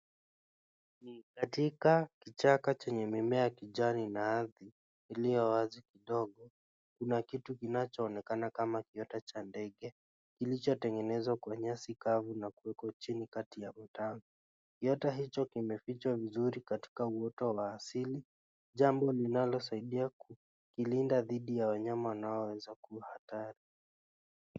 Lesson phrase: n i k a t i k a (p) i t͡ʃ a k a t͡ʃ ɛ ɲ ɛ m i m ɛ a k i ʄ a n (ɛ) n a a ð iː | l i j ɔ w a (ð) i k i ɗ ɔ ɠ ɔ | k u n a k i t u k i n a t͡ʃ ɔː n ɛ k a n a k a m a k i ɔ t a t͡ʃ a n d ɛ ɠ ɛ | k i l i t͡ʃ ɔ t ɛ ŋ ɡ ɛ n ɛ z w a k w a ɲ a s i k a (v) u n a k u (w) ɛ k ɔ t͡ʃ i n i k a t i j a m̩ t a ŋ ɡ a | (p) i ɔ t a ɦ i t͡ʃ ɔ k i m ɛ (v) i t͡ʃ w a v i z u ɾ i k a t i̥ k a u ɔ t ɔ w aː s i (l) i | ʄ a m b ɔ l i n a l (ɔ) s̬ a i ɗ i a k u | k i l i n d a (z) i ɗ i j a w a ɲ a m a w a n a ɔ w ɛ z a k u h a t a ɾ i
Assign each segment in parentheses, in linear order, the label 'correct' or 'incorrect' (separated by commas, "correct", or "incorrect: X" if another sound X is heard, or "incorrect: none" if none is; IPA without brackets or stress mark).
incorrect: k, incorrect: i, incorrect: z, correct, correct, incorrect: k, incorrect: f, correct, correct, incorrect: ð